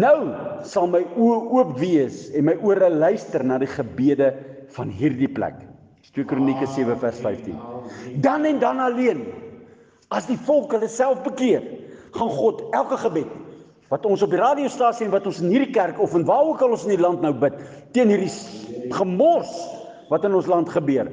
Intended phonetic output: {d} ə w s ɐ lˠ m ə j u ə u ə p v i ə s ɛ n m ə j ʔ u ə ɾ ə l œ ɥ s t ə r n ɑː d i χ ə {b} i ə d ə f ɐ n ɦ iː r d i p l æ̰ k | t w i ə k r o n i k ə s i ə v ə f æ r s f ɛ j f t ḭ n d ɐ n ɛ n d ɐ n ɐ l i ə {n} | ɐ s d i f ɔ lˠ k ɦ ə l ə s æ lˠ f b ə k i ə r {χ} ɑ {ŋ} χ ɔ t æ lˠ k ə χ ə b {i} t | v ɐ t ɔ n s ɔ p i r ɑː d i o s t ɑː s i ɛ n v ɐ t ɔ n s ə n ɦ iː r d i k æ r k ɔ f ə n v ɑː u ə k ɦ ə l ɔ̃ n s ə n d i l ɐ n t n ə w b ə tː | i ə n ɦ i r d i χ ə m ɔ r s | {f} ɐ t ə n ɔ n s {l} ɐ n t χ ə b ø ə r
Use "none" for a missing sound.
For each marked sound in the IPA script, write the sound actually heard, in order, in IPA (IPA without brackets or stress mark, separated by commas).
n, b, n, χ, n, ɛ, v, l